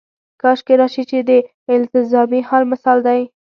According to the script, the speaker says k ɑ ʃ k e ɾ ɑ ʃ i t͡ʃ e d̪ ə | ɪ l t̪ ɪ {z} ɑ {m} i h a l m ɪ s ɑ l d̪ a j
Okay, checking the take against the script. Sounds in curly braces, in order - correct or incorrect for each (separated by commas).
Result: correct, correct